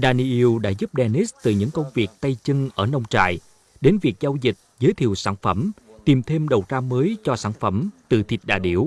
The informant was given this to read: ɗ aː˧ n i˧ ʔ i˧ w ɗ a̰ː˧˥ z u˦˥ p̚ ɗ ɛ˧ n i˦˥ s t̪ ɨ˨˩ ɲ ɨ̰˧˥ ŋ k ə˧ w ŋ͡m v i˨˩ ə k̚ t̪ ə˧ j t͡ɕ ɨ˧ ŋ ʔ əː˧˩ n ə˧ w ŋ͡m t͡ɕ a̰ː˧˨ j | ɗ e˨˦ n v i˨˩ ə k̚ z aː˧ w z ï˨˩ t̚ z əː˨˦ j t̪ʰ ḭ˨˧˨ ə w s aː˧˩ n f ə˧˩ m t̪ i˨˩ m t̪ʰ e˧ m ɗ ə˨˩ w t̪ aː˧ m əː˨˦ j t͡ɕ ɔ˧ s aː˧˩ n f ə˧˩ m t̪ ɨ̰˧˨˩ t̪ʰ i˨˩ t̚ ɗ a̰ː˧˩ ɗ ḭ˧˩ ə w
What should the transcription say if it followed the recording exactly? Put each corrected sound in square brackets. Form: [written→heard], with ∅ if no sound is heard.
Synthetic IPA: ɗ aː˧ n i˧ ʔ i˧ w ɗ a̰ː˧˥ z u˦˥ p̚ ɗ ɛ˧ n i˦˥ s t̪ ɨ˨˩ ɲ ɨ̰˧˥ ŋ k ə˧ w ŋ͡m v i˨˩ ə k̚ t̪ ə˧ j t͡ɕ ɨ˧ ŋ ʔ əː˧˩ n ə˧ w ŋ͡m t͡ɕ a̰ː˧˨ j | ɗ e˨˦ n v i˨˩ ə k̚ z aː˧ w z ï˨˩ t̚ z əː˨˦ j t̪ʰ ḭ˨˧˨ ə w s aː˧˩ n f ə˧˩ m t̪ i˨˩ m t̪ʰ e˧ m ɗ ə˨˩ w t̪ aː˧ m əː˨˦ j t͡ɕ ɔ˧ s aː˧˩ n f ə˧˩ m t̪ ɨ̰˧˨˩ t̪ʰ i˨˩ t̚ ɗ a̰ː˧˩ ɗ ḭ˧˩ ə w

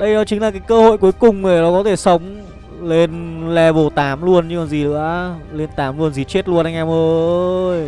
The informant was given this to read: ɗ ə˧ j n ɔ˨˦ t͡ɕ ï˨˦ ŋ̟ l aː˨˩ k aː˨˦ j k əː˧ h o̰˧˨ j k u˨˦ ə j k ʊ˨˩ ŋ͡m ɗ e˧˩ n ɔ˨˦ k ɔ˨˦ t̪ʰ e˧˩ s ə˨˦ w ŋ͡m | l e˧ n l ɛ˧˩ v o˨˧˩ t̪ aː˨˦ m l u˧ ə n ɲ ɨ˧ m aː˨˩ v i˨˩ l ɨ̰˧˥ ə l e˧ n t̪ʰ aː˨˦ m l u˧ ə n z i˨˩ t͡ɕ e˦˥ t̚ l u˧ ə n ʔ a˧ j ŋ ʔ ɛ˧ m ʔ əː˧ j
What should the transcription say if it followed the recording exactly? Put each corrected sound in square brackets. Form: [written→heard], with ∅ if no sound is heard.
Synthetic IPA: ɗ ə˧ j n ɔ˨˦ t͡ɕ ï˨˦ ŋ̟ l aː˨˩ k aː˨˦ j k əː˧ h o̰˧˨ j k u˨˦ ə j k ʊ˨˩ ŋ͡m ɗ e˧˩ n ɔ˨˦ k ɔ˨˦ t̪ʰ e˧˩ s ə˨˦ w ŋ͡m | l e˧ n l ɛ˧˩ v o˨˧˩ t̪ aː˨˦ m l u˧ ə n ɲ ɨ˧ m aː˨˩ [v→z] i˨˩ l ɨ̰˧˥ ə l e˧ n [t̪ʰ→t̪] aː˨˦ m l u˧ ə n z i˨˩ t͡ɕ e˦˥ t̚ l u˧ ə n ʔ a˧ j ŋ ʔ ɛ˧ m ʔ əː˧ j

